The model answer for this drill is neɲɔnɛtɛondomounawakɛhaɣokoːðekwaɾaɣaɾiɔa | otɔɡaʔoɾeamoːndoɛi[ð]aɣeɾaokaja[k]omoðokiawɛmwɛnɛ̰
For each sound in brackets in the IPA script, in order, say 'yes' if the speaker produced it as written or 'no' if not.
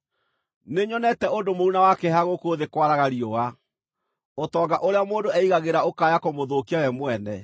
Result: no, yes

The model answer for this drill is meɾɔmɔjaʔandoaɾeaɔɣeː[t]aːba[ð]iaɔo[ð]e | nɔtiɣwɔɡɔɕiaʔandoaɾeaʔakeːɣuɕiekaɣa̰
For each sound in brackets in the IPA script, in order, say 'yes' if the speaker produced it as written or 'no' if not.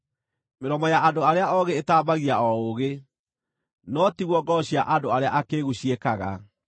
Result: yes, no, no

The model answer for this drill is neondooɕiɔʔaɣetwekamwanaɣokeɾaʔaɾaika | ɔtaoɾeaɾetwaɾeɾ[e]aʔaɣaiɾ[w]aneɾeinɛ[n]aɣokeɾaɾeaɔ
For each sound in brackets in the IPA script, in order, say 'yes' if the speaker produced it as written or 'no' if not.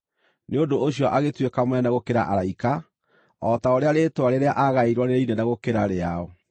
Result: yes, yes, yes

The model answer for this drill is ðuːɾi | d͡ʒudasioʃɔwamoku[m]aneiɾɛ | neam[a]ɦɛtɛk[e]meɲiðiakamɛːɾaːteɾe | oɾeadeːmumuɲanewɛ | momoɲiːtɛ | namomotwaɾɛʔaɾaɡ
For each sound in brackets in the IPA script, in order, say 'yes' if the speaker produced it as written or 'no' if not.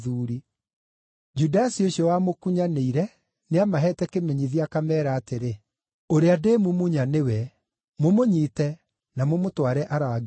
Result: no, yes, yes

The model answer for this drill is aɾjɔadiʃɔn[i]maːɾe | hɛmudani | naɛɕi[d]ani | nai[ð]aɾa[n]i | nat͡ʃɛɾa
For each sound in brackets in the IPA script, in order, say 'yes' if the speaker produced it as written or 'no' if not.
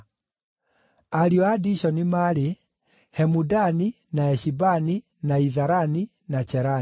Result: yes, no, yes, yes

